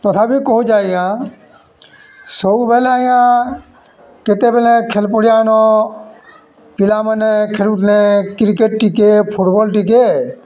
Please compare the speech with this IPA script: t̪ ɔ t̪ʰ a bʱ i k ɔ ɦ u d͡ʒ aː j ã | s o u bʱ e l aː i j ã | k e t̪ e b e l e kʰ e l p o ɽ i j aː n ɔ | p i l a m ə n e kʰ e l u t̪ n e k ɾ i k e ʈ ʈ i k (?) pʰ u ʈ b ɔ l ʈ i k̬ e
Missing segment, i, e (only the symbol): e